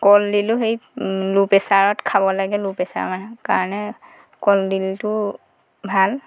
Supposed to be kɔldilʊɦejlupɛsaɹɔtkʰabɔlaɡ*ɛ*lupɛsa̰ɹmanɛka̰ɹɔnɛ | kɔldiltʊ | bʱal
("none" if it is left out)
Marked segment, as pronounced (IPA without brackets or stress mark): ɛ